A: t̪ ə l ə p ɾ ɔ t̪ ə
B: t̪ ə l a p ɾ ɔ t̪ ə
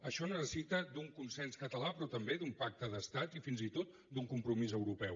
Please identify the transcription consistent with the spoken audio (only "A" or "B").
B